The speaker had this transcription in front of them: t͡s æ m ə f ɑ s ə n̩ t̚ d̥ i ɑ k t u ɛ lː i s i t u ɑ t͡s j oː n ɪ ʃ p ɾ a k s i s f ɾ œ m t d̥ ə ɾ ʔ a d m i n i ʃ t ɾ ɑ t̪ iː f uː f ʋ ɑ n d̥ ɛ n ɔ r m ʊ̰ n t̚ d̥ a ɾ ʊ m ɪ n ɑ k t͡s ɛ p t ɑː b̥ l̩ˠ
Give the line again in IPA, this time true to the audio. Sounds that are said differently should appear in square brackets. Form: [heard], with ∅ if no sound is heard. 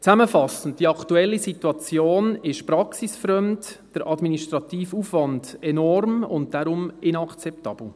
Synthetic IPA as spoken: t͡s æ m ə f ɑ s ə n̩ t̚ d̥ i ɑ k t u ɛ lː i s i t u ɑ t͡s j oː n ɪ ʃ p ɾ [ɑ] k s i s f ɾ œ m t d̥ ə ɾ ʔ [ɑ] d m i n i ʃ t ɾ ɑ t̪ iː f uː f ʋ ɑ n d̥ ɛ n ɔ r m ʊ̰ n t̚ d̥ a ɾ ʊ m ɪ n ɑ k t͡s ɛ p t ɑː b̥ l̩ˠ